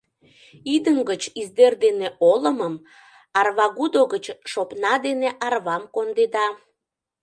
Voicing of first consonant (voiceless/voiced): voiced